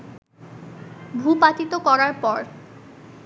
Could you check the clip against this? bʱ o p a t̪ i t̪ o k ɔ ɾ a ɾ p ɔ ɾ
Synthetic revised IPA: bʱ u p a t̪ i t̪ o k ɔ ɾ a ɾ p ɔ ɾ